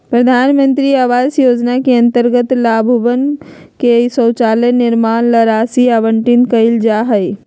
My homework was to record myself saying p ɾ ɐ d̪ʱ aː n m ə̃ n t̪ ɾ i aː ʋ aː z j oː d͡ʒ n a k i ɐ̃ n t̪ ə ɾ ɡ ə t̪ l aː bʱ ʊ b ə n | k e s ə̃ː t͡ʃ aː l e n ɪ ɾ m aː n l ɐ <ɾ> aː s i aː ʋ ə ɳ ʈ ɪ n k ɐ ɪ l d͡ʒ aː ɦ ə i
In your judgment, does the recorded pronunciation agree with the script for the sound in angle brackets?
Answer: yes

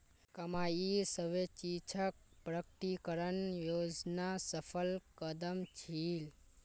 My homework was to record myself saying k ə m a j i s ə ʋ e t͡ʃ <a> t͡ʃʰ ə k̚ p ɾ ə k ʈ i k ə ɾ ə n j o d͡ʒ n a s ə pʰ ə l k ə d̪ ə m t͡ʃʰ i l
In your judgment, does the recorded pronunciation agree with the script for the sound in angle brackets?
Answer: no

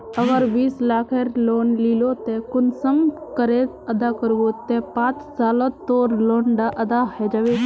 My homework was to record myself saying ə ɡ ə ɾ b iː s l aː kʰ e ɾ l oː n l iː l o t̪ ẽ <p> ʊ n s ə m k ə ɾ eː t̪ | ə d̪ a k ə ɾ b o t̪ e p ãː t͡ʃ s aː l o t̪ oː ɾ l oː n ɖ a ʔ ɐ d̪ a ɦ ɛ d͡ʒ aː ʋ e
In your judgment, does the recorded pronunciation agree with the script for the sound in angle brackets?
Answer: no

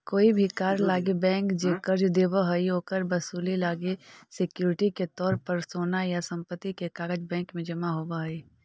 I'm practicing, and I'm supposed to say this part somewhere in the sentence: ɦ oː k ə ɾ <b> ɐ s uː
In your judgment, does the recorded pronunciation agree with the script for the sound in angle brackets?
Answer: yes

